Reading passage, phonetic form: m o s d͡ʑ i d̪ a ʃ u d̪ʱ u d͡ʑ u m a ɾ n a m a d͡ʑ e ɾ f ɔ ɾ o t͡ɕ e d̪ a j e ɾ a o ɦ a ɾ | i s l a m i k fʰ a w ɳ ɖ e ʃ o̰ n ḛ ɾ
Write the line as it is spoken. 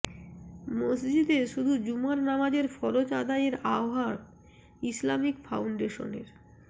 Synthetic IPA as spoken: m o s d͡ʑ i d̪ e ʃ u d̪ʱ u d͡ʑ u m a ɾ n a m a d͡ʑ e ɾ f ɔ ɾ o t͡ɕ a d̪ a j e ɾ a o ɦ a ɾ | i s l a m i k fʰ a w ɳ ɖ e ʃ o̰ n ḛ ɾ